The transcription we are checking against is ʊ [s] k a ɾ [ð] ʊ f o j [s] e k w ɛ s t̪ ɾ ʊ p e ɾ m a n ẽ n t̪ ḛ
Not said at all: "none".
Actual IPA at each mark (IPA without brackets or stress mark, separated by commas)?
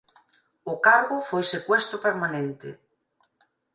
none, ɣ, s